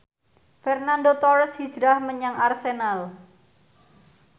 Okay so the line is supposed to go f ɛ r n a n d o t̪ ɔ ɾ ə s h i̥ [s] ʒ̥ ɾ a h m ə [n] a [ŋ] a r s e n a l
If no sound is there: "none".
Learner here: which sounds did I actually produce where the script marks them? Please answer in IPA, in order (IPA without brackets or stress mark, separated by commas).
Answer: none, ɲ, ŋ